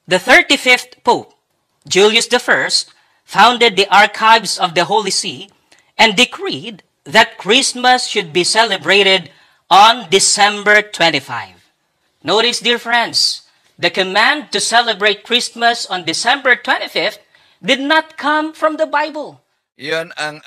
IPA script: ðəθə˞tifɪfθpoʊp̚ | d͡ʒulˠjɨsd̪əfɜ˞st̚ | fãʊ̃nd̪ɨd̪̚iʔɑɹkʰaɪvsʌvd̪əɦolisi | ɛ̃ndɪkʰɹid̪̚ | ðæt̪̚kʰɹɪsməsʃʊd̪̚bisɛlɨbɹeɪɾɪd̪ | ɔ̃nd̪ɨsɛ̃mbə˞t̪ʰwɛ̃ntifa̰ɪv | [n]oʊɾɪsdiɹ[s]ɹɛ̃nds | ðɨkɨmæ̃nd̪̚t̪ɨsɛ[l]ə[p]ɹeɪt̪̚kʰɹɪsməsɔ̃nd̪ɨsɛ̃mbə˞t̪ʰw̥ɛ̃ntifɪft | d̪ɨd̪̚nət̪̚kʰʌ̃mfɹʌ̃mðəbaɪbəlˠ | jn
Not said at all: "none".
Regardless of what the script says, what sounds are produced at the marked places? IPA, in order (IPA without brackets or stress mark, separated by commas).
n, f, l, b